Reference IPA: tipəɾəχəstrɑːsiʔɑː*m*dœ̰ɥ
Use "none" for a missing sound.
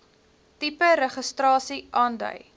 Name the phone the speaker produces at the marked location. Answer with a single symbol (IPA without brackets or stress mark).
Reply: n